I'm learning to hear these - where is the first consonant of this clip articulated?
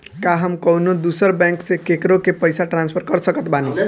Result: velum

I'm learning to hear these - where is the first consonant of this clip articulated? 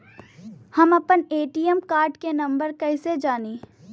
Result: throat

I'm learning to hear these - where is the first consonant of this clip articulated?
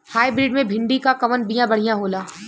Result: throat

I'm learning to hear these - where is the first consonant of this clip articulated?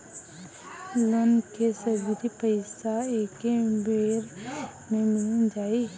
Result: tongue tip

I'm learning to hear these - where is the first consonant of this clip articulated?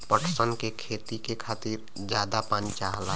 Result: lips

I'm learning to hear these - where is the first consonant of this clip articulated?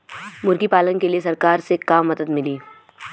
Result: lips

